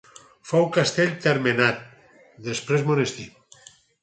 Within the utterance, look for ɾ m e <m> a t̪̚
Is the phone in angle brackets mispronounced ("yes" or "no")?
yes